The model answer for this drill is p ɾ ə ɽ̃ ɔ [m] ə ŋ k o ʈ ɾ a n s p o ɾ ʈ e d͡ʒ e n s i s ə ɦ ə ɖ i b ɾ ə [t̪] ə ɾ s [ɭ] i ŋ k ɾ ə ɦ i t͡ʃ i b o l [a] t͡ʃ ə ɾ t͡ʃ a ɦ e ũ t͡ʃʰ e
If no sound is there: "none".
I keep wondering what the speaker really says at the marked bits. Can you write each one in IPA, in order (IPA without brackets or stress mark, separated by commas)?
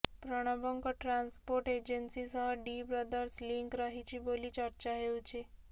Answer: b, d̪, l, i